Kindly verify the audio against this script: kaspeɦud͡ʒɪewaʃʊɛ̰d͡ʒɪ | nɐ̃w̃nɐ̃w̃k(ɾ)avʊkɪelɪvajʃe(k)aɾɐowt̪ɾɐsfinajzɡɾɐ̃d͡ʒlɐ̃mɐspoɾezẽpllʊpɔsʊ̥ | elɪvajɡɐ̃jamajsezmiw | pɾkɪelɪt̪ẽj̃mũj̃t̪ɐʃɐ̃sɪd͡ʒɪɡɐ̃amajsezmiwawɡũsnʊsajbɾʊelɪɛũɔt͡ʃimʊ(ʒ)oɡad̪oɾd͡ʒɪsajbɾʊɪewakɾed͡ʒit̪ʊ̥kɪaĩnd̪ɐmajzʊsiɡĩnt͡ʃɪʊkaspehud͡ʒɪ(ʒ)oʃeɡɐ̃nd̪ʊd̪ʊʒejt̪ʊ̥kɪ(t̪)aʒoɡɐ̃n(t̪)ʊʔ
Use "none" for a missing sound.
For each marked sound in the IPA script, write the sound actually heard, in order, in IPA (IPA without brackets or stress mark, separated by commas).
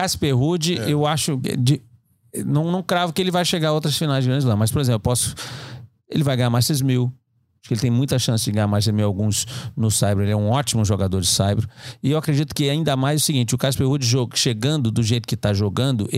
ɾ, ɡ, ʒ, ʒ, t̪, d̪